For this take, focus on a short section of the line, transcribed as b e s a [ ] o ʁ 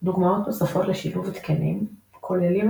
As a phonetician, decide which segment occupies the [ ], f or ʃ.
f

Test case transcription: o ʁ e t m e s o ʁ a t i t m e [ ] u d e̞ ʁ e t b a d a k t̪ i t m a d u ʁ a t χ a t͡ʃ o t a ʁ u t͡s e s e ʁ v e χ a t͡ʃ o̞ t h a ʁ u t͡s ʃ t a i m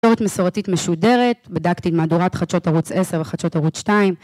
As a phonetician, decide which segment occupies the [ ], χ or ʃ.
ʃ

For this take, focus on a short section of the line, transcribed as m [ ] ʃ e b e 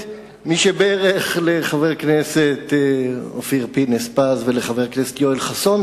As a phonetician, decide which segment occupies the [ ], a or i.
i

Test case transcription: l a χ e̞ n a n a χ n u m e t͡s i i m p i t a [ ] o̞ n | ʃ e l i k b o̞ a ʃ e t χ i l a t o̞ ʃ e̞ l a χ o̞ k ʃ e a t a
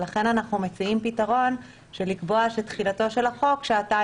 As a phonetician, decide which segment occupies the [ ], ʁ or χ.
ʁ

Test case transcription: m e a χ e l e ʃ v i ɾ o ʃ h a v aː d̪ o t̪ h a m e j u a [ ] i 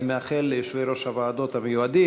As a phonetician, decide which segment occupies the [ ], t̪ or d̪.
d̪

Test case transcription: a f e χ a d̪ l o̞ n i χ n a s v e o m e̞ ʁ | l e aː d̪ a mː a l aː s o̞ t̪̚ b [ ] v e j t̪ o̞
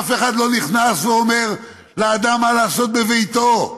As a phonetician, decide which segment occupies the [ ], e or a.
e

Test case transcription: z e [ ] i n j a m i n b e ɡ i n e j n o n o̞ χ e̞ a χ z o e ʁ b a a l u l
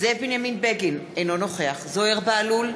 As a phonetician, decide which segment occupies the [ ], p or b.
b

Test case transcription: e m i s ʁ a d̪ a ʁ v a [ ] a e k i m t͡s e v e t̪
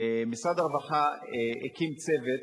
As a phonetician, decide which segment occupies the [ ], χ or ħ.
χ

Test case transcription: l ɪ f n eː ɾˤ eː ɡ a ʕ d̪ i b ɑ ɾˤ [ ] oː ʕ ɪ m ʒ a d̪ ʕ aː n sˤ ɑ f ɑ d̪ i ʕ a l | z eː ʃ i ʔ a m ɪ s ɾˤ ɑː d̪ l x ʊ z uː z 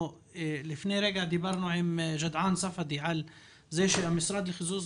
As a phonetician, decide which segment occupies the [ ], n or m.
n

